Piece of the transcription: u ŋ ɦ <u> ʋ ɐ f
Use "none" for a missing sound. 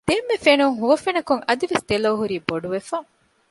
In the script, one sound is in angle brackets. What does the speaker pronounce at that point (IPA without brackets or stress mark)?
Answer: u